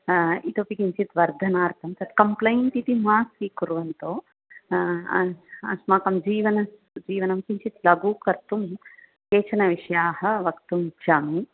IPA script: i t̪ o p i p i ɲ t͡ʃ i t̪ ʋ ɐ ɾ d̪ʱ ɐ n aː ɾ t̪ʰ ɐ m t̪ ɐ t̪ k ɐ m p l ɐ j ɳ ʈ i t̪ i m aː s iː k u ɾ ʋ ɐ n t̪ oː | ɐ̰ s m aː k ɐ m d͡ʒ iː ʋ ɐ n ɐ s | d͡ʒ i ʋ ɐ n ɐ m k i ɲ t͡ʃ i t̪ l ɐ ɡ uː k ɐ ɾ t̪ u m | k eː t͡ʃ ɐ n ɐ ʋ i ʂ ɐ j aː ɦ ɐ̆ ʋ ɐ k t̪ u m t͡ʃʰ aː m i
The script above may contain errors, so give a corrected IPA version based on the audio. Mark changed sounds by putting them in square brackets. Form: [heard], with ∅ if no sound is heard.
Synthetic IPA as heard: i t̪ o p i [k] i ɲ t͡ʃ i t̪ ʋ ɐ ɾ d̪ʱ ɐ n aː ɾ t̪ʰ ɐ m t̪ ɐ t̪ k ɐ m p l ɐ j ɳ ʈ i t̪ i m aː s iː k u ɾ ʋ ɐ n t̪ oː | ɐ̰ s m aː k ɐ m d͡ʒ iː ʋ ɐ n ɐ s | d͡ʒ [iː] ʋ ɐ n ɐ m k i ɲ t͡ʃ i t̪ l ɐ ɡ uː k ɐ ɾ t̪ u m | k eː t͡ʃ ɐ n ɐ ʋ i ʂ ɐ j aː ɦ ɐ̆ ʋ ɐ k t̪ u m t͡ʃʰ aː m i

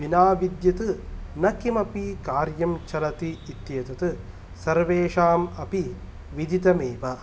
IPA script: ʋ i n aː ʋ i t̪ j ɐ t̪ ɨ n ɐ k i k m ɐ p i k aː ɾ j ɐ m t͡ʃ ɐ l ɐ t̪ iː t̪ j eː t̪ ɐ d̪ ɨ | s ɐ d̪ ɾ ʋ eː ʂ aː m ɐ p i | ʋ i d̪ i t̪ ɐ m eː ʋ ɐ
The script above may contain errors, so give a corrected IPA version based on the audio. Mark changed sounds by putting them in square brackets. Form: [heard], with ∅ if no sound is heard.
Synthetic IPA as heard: ʋ i n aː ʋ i [d̪] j ɐ t̪ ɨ n ɐ k i [∅] m ɐ p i k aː ɾ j ɐ m t͡ʃ ɐ l ɐ t̪ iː t̪ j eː t̪ ɐ [t̪] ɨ | s ɐ [∅] ɾ ʋ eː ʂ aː m ɐ p i | ʋ i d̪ i t̪ ɐ m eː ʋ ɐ

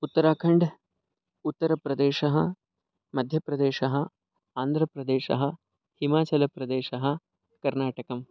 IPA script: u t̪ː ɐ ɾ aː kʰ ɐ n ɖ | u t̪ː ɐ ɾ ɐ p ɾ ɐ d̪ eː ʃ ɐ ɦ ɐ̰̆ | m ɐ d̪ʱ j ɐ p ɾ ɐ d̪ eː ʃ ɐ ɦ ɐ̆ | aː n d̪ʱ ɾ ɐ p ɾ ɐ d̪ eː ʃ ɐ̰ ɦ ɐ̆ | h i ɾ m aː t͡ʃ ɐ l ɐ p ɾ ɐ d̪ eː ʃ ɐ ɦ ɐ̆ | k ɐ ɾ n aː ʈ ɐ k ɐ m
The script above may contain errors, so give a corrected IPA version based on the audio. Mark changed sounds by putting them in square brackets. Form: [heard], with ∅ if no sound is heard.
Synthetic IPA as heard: u t̪ː ɐ ɾ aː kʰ ɐ [ɳ] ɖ | u t̪ː ɐ ɾ ɐ p ɾ ɐ d̪ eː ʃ ɐ ɦ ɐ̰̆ | m ɐ d̪ʱ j ɐ p ɾ ɐ d̪ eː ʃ ɐ ɦ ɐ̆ | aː n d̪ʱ ɾ ɐ p ɾ ɐ d̪ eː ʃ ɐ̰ ɦ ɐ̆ | h i [∅] m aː t͡ʃ ɐ l ɐ p ɾ ɐ d̪ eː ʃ ɐ ɦ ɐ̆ | k ɐ ɾ n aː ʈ ɐ k ɐ m

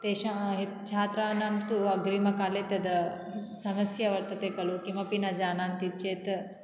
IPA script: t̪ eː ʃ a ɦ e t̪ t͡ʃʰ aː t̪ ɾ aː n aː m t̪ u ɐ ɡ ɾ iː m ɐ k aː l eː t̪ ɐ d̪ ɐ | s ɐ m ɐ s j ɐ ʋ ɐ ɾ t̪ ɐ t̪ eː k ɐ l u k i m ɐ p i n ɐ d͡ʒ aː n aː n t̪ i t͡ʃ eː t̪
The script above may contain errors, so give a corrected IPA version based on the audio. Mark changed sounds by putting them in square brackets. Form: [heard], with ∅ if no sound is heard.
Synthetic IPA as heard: t̪ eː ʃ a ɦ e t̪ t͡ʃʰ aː t̪ ɾ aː n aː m t̪ u ɐ ɡ ɾ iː m ɐ k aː l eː t̪ ɐ d̪ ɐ | s ɐ m ɐ s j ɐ ʋ ɐ ɾ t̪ ɐ t̪ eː k ɐ l u k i m ɐ p i n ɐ d͡ʒ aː n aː n t̪ i t͡ʃ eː t̪

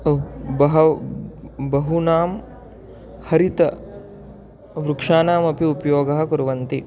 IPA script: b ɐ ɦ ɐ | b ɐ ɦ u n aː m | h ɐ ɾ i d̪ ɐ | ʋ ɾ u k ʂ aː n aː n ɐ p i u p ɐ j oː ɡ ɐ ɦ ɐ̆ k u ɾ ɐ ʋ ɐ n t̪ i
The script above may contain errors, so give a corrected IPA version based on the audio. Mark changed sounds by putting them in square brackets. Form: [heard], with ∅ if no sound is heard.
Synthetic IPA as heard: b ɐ ɦ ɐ | b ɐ ɦ u n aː m | h ɐ ɾ i [t̪] ɐ | ʋ ɾ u k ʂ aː n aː [m] ɐ p i u p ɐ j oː ɡ ɐ ɦ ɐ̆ k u ɾ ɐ ʋ ɐ n t̪ i

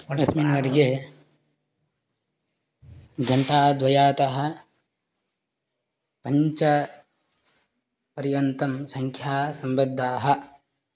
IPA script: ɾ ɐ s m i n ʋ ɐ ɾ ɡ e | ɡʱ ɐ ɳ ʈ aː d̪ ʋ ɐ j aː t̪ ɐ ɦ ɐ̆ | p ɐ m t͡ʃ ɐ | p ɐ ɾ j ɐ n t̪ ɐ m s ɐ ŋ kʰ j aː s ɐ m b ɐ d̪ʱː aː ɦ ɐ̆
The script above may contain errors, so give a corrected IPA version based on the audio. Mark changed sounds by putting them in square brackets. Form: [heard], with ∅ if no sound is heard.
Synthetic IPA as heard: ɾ ɐ s m i n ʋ ɐ ɾ ɡ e | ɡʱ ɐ ɳ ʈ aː d̪ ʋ ɐ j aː t̪ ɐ ɦ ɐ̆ | p ɐ [ɲ] t͡ʃ ɐ | p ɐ ɾ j ɐ n t̪ ɐ m s ɐ ŋ kʰ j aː s ɐ m b ɐ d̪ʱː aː ɦ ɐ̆

